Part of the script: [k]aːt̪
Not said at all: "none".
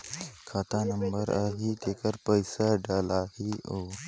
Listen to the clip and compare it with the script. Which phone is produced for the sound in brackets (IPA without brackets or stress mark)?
kʰ